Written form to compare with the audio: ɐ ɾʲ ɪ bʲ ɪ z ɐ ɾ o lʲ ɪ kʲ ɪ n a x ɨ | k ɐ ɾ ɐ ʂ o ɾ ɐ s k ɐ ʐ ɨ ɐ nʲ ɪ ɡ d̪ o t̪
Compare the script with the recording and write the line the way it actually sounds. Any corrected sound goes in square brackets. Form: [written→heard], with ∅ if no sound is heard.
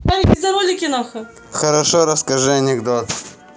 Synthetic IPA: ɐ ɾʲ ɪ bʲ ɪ z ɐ ɾ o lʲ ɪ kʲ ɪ n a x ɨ | [k→x] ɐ ɾ ɐ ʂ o ɾ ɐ s k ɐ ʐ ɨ ɐ nʲ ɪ ɡ d̪ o t̪